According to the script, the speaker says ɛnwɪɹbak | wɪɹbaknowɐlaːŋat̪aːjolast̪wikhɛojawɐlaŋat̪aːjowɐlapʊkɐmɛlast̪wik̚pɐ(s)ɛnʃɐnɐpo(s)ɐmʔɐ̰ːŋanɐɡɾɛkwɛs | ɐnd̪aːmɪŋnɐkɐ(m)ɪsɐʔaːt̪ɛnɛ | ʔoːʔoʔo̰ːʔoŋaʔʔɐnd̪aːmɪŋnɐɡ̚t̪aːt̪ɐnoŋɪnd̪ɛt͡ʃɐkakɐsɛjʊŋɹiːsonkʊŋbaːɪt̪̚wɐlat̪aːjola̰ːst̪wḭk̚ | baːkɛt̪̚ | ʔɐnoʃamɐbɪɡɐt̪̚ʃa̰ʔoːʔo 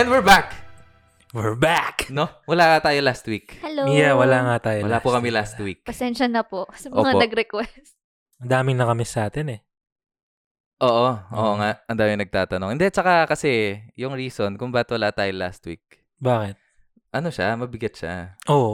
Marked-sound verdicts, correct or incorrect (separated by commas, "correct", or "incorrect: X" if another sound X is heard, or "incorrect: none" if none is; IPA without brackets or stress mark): correct, correct, correct